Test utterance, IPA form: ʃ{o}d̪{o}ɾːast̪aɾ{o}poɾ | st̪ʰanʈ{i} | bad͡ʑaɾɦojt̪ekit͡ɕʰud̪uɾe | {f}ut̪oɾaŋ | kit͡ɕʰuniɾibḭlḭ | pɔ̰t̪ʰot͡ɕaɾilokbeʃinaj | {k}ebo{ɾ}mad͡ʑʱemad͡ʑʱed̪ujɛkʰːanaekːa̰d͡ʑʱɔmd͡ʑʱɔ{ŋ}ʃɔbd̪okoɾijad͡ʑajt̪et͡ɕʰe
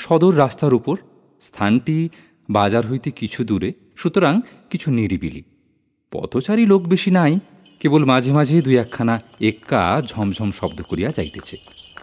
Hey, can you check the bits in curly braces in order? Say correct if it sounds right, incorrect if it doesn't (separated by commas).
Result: incorrect, correct, incorrect, correct, incorrect, correct, incorrect, incorrect